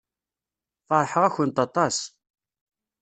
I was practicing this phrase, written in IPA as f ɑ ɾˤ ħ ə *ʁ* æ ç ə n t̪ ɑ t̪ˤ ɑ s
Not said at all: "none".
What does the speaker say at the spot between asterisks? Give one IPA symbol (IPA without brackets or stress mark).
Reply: ʁ